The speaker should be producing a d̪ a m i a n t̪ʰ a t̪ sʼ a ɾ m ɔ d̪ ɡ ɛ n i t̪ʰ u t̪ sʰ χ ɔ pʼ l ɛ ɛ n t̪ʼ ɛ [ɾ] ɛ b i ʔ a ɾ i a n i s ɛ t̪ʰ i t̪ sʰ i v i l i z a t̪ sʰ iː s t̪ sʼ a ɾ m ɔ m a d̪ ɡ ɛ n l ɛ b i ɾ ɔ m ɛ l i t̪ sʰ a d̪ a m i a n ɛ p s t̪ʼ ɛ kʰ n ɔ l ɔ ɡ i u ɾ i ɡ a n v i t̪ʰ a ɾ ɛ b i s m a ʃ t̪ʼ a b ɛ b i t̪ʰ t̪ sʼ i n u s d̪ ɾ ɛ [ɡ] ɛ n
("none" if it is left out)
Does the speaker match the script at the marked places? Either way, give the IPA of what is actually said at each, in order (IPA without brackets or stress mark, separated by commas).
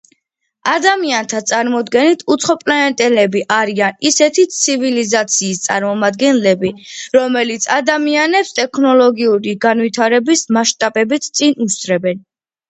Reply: l, b